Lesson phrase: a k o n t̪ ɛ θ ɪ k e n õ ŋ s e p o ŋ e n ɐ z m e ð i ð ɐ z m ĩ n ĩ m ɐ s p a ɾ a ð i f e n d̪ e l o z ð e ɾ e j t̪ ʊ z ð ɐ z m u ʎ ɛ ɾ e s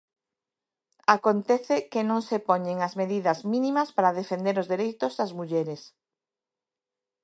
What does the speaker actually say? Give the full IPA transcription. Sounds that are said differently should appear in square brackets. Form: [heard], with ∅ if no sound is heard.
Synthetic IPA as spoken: a k o n t̪ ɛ θ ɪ k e n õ ŋ s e p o [ɲ] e [ŋ] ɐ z m e ð i ð ɐ z m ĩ n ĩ m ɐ s p a ɾ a ð [e] f e n d̪ e [ɾ] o z ð e ɾ e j t̪ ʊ z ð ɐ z m u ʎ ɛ ɾ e s